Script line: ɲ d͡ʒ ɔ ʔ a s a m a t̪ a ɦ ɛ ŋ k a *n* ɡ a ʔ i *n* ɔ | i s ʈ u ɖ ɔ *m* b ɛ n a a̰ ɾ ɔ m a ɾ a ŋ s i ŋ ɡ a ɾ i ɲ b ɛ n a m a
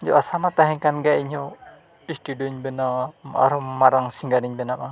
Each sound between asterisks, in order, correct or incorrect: correct, incorrect: ɲ, incorrect: ɲ

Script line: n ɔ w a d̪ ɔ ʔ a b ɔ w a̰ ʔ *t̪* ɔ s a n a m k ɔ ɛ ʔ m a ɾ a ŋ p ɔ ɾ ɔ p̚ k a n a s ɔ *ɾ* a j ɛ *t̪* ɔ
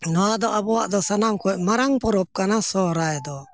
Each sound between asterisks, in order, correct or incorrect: incorrect: d̪, correct, incorrect: d̪

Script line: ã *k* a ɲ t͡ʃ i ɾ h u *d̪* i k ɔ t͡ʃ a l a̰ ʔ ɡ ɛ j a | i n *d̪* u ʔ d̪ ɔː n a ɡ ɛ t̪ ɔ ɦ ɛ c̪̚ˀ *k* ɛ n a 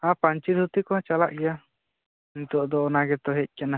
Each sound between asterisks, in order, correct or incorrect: incorrect: p, incorrect: t̪, incorrect: t̪, correct

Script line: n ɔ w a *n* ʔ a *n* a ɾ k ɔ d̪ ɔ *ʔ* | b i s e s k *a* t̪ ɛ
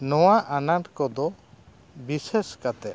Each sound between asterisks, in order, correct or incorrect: incorrect: none, correct, incorrect: none, correct

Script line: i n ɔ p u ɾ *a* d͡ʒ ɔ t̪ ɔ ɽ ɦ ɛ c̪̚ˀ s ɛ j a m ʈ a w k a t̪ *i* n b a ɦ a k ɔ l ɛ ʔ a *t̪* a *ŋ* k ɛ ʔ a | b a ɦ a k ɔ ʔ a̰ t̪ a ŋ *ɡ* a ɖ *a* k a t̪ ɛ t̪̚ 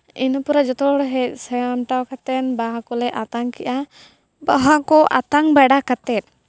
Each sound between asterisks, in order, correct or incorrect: correct, incorrect: ɛ, correct, correct, incorrect: b, correct

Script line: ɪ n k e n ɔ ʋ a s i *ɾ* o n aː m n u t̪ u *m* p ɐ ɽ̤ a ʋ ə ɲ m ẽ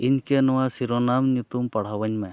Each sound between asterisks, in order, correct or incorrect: correct, correct

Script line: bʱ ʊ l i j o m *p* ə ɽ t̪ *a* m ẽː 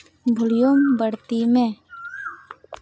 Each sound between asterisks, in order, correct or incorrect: incorrect: b, incorrect: i

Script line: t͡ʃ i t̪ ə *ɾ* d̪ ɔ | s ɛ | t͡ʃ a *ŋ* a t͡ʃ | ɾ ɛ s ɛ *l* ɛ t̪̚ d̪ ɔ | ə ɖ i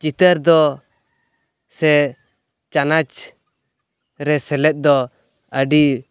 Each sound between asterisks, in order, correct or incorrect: correct, incorrect: n, correct

